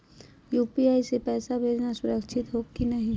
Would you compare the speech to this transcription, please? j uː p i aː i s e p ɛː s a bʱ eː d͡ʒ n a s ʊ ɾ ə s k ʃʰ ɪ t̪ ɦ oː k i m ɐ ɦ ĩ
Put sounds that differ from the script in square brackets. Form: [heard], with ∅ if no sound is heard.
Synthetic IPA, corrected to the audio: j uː p i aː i s e p ɛː s a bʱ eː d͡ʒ n a s ʊ ɾ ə [∅] k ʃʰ ɪ t̪ ɦ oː k i [n] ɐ ɦ ĩ